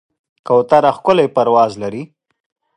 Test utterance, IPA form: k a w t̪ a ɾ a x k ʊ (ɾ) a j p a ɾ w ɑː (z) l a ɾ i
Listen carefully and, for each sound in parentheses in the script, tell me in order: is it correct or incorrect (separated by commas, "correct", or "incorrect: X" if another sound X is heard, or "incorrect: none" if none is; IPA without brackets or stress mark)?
incorrect: l, correct